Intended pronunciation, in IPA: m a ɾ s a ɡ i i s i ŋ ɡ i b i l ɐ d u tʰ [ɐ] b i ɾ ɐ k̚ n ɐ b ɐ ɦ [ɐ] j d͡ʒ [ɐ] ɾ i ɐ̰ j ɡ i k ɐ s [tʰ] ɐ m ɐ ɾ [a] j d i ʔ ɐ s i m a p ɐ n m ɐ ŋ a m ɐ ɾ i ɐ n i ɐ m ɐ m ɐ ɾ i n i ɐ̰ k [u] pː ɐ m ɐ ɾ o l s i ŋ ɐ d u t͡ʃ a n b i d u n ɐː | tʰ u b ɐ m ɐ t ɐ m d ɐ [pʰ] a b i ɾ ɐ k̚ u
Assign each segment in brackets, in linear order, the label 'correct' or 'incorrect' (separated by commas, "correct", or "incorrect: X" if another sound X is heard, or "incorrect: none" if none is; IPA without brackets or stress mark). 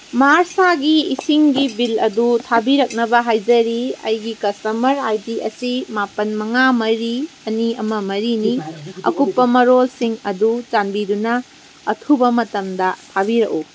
incorrect: a, incorrect: a, correct, incorrect: t, correct, correct, incorrect: tʰ